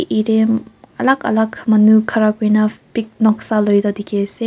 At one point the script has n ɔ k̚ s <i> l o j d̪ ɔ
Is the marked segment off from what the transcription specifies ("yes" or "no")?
yes